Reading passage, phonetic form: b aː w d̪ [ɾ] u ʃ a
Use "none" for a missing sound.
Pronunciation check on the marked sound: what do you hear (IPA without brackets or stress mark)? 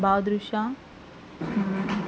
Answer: ɾ